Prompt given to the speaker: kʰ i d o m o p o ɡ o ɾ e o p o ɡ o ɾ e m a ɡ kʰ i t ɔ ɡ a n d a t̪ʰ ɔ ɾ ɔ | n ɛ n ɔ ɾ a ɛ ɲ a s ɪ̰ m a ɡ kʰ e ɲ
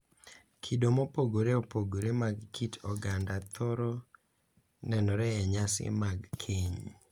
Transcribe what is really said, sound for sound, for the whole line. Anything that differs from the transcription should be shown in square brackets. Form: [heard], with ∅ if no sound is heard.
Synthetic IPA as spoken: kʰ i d o m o p o ɡ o ɾ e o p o ɡ o ɾ e m a ɡ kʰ i t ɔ ɡ a n d a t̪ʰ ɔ ɾ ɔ | n ɛ n ɔ ɾ [ɛ] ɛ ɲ a s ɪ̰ m a ɡ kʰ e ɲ